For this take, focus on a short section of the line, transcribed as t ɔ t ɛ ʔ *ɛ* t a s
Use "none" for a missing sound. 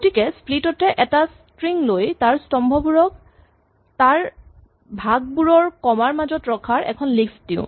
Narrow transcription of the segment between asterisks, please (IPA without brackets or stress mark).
ɛ